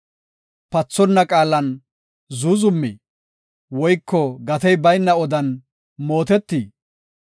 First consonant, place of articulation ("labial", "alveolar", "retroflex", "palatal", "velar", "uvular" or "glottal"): labial